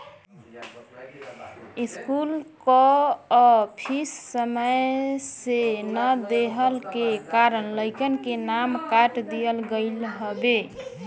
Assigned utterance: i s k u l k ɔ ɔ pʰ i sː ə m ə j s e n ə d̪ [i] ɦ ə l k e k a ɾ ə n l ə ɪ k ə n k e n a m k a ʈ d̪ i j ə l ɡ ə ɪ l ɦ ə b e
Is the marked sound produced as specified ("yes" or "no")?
no